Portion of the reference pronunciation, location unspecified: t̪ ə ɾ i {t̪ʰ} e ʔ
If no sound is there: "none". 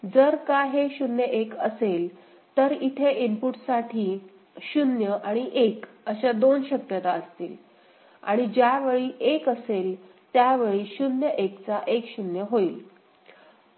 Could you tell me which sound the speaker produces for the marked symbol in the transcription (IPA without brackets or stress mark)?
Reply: t̪ʰ